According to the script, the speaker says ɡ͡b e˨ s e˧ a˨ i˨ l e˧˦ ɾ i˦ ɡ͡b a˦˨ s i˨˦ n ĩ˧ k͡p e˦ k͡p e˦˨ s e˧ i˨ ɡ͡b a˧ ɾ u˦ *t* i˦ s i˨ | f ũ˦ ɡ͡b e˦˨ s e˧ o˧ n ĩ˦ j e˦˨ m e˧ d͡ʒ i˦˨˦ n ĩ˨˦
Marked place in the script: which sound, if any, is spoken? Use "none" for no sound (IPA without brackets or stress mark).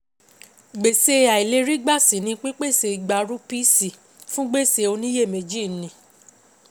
p